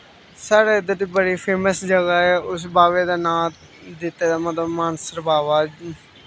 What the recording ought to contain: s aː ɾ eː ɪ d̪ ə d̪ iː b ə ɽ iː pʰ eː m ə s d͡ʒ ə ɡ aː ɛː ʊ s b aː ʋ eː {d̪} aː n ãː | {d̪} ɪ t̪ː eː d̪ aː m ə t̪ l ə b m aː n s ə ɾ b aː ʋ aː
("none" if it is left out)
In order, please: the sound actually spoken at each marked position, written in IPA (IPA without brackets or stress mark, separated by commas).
d̪, d̪